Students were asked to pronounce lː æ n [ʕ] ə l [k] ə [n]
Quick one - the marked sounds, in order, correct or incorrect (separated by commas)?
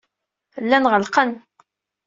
incorrect, incorrect, correct